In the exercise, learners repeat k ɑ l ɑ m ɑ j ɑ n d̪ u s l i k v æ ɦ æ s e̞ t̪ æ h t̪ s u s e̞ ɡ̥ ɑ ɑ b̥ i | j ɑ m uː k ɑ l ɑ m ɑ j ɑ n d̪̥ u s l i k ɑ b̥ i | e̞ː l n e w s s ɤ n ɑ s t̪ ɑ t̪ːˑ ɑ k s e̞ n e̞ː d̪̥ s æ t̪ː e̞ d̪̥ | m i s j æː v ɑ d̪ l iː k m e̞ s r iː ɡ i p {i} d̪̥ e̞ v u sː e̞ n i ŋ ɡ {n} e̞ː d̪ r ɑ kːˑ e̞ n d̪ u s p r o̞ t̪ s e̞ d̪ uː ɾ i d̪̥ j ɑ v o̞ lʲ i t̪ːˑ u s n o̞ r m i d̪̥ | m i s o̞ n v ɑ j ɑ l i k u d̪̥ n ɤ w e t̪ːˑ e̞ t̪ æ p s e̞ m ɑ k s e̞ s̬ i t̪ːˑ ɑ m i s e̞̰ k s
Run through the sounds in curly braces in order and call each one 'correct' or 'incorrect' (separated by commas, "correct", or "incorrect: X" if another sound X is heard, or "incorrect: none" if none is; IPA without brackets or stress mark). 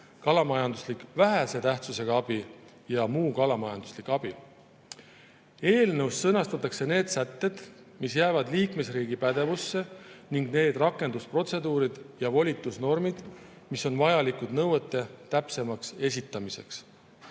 incorrect: æ, correct